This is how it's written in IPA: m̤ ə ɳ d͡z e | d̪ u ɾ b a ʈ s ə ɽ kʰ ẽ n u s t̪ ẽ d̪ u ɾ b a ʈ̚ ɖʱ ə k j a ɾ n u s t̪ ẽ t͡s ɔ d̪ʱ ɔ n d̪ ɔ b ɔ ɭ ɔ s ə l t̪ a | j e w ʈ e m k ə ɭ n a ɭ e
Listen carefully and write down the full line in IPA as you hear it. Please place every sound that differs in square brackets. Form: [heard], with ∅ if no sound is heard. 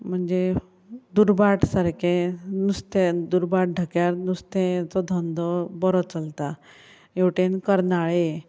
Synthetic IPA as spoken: m̤ ə ɳ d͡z e | d̪ u ɾ b a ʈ s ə [ɾ] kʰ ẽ n u s t̪ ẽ d̪ u ɾ b a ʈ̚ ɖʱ ə k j a ɾ n u s t̪ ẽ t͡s ɔ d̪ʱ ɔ n d̪ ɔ b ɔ [ɾ] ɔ [t͡s] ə l t̪ a | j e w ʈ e [n] k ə [ɾ] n a ɭ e